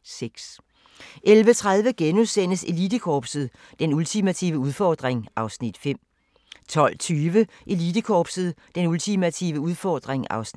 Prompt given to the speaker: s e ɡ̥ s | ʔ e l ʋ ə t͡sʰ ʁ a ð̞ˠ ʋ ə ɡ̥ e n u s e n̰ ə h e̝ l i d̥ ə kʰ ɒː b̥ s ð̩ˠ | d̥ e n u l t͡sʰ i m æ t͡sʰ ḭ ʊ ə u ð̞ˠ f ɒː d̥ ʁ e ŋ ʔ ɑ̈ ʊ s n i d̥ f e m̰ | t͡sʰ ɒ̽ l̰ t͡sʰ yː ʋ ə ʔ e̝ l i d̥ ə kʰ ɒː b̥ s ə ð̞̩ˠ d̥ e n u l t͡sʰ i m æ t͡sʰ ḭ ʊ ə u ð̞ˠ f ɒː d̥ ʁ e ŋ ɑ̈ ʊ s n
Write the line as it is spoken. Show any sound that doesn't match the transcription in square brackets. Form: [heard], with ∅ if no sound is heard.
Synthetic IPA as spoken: s e ɡ̥ s | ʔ e l ʋ ə t͡sʰ ʁ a ð̞ˠ ʋ ə ɡ̥ e n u s e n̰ ə [s] e̝ l i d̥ ə kʰ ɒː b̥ s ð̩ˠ | d̥ e n u l t͡sʰ i m æ t͡sʰ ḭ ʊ ə u ð̞ˠ f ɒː d̥ ʁ e ŋ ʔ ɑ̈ ʊ s n i d̥ f e m̰ | t͡sʰ ɒ̽ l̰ t͡sʰ yː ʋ ə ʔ e̝ l i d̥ ə kʰ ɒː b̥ s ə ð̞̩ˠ d̥ e n u l t͡sʰ i m æ t͡sʰ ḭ ʊ ə u ð̞ˠ f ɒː d̥ ʁ e ŋ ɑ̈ ʊ s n